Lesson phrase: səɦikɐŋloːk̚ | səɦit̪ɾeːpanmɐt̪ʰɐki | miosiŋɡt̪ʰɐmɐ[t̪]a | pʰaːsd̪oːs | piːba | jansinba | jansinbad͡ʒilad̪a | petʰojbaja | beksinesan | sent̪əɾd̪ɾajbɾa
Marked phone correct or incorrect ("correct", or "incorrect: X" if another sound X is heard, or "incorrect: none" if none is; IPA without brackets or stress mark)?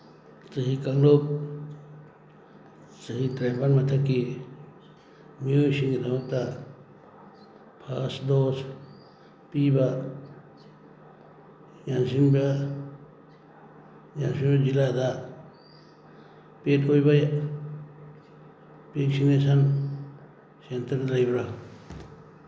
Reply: correct